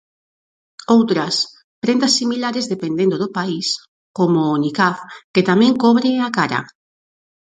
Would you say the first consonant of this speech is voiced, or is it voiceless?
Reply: voiced